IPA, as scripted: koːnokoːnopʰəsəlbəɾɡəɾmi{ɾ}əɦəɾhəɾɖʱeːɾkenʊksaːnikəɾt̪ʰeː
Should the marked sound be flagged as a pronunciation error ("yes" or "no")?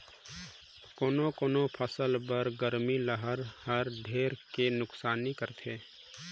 yes